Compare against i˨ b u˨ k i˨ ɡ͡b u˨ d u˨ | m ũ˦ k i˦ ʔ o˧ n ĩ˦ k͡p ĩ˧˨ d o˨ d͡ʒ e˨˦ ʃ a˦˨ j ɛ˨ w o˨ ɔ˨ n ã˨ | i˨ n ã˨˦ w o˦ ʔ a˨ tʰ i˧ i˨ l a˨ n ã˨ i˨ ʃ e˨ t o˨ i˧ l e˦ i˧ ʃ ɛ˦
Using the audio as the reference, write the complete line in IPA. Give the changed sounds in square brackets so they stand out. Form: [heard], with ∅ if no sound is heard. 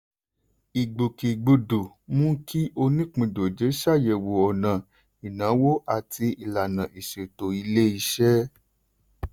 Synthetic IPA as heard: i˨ [ɡ͡b] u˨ k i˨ ɡ͡b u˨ d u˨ | m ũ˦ k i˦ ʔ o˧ n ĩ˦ k͡p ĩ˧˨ d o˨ d͡ʒ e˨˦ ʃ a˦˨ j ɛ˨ w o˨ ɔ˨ n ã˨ | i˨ n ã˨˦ w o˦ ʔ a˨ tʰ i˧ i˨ l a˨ n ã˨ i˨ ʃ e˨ t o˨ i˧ l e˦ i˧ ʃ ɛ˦